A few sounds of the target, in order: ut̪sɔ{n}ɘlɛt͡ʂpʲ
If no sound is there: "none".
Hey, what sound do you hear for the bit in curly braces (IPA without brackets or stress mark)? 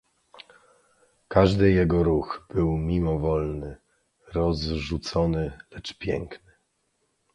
n